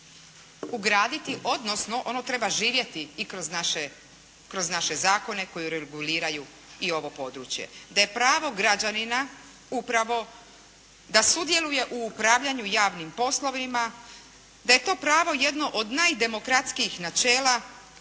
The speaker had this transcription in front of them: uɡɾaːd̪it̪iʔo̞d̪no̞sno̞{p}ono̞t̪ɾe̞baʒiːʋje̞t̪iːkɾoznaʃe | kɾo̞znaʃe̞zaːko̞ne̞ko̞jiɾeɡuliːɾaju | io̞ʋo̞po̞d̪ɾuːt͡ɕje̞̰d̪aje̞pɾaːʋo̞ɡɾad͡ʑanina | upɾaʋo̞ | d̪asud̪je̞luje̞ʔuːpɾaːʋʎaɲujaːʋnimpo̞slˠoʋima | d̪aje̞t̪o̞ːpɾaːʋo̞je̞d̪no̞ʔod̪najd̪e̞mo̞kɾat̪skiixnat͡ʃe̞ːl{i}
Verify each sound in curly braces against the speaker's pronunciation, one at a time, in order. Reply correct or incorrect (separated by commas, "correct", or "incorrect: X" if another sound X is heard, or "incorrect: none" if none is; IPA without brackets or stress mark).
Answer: incorrect: ʔ, incorrect: a